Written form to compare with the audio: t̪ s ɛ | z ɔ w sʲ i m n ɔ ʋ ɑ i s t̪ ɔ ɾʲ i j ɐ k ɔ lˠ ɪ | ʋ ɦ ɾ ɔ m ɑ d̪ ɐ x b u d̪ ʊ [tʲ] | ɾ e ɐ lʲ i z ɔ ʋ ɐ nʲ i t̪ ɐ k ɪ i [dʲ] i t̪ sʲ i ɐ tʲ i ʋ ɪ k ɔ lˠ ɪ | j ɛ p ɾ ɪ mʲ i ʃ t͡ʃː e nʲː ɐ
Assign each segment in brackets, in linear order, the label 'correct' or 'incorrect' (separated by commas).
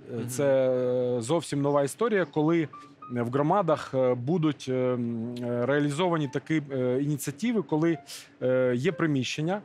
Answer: correct, incorrect